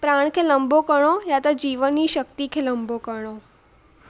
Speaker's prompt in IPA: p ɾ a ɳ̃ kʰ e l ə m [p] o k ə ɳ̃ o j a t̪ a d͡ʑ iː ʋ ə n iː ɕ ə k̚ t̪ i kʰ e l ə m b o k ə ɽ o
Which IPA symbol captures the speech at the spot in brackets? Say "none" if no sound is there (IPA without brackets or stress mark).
b